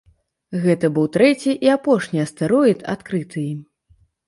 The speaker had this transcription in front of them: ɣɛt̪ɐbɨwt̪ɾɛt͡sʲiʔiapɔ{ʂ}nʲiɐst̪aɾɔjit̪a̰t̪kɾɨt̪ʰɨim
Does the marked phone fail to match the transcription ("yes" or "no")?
no